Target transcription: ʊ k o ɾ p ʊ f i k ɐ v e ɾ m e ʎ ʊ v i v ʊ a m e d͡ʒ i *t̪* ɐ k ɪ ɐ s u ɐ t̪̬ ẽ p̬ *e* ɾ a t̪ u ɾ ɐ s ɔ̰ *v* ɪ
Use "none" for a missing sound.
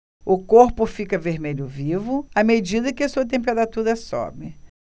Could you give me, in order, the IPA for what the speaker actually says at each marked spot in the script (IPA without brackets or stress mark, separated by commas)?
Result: d̪, e, b